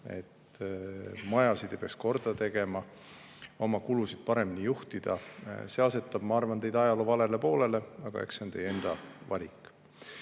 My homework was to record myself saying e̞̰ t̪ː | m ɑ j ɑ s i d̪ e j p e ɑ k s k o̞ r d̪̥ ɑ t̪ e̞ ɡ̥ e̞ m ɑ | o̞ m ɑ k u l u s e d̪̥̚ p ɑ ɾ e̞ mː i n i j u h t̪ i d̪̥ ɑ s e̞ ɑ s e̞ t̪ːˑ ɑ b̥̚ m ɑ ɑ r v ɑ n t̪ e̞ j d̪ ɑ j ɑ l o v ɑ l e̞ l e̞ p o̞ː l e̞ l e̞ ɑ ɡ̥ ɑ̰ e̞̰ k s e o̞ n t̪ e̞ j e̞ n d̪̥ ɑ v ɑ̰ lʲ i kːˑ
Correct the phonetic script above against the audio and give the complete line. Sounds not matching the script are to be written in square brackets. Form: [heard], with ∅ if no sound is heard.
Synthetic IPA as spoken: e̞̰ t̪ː | m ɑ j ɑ s i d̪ e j p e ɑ k s k o̞ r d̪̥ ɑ t̪ e̞ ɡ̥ e̞ m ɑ | o̞ m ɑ k u l u s [i] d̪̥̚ p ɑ ɾ e̞ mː i n i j u h t̪ i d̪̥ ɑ s e̞ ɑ s e̞ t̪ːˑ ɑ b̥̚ m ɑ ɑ r v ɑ n t̪ e̞ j d̪ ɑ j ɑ l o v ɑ l e̞ l e̞ p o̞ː l e̞ l e̞ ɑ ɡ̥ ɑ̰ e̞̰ k s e o̞ n t̪ e̞ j e̞ n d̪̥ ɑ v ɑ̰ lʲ i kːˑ

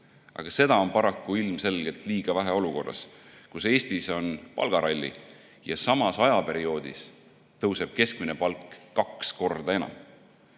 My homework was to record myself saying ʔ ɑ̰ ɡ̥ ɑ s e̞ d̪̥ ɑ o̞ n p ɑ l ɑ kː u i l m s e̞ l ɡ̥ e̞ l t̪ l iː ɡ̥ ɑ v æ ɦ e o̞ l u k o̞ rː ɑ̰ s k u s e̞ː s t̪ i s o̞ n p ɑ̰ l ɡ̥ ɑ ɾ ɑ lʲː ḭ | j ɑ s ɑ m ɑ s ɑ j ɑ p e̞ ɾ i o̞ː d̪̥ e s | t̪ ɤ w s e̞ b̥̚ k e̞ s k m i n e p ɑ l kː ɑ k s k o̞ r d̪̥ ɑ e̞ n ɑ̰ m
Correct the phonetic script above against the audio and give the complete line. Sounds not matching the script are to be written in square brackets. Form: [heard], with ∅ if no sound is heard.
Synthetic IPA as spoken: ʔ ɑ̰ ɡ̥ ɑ s e̞ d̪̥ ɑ o̞ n p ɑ [ɾ] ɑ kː u i l m s e̞ l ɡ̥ e̞ l t̪ l iː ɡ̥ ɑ v æ ɦ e o̞ l u k o̞ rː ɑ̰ s k u s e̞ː s t̪ i s o̞ n p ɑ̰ l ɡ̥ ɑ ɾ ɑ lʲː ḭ | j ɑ s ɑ m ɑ s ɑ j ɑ p e̞ ɾ i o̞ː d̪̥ [i] s | t̪ ɤ w s e̞ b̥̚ k e̞ s k m i n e p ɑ l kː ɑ k s k o̞ r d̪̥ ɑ e̞ n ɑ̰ m

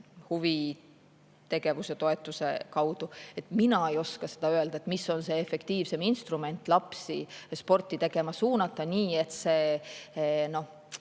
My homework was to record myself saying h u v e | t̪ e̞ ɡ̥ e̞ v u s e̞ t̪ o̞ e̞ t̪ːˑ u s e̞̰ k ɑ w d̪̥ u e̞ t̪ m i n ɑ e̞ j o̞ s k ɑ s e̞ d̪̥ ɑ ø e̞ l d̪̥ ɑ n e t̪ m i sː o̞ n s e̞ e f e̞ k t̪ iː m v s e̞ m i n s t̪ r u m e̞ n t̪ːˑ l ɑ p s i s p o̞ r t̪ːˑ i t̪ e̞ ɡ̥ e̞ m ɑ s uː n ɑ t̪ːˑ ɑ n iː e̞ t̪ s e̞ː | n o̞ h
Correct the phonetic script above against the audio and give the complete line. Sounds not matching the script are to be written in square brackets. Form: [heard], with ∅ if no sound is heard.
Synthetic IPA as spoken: h u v [i] | t̪ e̞ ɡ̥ e̞ v u s e̞ t̪ o̞ e̞ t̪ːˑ u s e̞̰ k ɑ w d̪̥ u e̞ t̪ m i n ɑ e̞ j o̞ s k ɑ s e̞ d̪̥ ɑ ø e̞ l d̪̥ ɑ [∅] e t̪ m i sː o̞ n s e̞ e f e̞ k t̪ iː [∅] v s e̞ m i n s t̪ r u m e̞ n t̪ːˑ l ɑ p s i s p o̞ r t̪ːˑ i t̪ e̞ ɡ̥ e̞ m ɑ s uː n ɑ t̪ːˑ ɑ n iː e̞ t̪ s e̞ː | n o̞ h

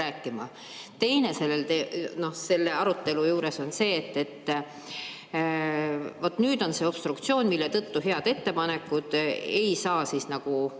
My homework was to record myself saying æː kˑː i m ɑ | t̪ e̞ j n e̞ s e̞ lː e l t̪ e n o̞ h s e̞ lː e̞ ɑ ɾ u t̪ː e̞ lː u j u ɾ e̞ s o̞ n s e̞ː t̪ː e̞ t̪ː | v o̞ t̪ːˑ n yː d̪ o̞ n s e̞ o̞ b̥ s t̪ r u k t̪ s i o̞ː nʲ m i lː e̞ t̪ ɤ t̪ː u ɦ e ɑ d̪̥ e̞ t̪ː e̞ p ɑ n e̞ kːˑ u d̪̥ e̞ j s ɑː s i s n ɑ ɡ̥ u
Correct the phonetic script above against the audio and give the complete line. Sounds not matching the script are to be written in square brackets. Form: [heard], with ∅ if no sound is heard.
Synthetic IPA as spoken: æː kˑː i m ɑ | t̪ e̞ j n e̞ s e̞ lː e l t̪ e n o̞ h s e̞ lː e̞ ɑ ɾ u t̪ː e̞ [l] u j [uː] ɾ e̞ s o̞ n s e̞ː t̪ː e̞ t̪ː | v o̞ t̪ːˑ n yː d̪ o̞ n s e̞ o̞ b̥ s t̪ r u k t̪ s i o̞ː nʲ m i lː e̞ t̪ ɤ t̪ː u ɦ e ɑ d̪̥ e̞ t̪ː e̞ p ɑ n e̞ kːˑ u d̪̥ e̞ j s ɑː s i s n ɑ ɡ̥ u

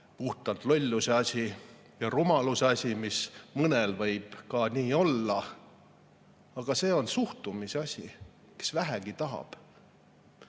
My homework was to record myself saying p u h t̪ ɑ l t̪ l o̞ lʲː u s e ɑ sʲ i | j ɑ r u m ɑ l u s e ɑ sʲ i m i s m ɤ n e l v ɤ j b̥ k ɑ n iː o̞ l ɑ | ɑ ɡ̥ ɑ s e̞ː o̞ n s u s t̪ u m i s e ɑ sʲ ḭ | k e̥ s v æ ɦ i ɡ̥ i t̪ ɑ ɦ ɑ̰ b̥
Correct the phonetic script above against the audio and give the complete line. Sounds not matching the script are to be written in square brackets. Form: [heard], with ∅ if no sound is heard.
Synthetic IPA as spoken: p u h t̪ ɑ l t̪ l o̞ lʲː u s e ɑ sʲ i | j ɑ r u m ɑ l u s e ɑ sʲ i m i s m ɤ n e l v ɤ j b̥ k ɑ n iː o̞ [lː] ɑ | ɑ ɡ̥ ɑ s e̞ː o̞ n s u [h] t̪ u m i s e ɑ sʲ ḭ | k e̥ s v æ ɦ [æ] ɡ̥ i t̪ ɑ ɦ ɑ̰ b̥

